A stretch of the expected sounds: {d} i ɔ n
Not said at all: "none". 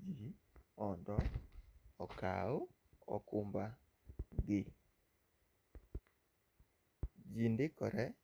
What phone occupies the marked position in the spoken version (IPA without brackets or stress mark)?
d͡ʒ